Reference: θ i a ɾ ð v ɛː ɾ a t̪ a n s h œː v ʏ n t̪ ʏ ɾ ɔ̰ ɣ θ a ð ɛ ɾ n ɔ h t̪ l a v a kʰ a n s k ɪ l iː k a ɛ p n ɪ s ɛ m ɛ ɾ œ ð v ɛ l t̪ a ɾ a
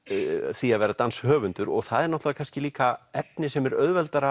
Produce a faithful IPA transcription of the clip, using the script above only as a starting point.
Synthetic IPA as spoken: θ i a ð v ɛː ɾ a t̪ a n s h œː v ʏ n t̪ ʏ ɾ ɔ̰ ɣ θ a ð ɛ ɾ n ɔ h t̪ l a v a kʰ a n s c ɪ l iː k a ɛ p n ɪ s ɛ m ɛ ɾ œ ð v ɛ l t̪ a ɾ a